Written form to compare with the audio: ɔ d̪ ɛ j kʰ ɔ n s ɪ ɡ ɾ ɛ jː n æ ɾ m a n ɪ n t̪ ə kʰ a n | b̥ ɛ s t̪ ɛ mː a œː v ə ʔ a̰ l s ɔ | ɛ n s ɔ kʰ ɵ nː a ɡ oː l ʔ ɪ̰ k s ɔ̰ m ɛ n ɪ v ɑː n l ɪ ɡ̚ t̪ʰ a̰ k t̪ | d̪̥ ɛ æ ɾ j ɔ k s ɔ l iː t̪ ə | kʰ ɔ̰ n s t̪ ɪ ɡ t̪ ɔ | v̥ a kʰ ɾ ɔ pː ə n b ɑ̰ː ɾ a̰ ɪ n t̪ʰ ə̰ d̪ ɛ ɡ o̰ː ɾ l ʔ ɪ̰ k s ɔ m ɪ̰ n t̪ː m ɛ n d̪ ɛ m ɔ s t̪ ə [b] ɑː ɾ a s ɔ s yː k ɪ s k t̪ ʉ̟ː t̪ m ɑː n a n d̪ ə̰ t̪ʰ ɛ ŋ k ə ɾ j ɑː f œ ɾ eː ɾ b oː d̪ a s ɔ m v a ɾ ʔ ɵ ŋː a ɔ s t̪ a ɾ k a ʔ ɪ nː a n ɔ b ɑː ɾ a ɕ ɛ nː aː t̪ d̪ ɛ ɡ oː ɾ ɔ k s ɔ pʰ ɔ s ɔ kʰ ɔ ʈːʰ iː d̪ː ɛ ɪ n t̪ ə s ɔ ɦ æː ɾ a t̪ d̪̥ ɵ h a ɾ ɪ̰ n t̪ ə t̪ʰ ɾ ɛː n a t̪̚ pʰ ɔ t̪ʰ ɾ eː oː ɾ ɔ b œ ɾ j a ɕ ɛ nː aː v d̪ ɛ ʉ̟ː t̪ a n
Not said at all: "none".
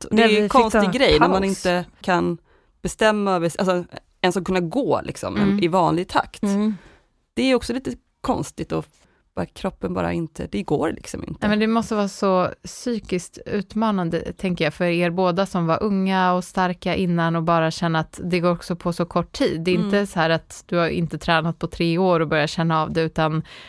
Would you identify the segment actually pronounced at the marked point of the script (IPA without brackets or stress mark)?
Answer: v